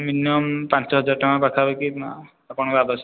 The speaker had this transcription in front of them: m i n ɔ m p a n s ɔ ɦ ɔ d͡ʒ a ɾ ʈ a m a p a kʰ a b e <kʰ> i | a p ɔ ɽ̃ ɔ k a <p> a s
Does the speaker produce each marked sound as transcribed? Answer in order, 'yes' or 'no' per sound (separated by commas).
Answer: no, no